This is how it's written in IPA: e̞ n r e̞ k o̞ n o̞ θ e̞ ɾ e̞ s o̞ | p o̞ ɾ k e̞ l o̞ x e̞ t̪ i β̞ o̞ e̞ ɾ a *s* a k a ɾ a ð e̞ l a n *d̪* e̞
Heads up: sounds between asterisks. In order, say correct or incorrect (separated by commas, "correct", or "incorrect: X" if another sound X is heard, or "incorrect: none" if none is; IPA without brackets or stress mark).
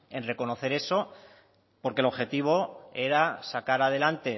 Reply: correct, incorrect: t̪